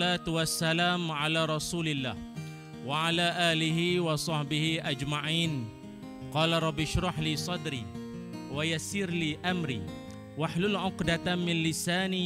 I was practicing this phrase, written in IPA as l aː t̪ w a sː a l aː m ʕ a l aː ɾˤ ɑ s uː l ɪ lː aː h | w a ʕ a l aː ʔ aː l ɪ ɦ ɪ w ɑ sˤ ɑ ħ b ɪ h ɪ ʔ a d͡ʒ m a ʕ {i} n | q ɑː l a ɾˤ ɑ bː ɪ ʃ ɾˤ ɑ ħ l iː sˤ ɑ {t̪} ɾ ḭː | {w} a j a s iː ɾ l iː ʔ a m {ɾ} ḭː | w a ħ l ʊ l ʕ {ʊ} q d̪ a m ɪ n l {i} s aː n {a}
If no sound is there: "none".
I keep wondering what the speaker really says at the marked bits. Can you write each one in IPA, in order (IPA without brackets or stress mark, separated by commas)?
iː, d̪, w, ɾ, ʊ, ɪ, i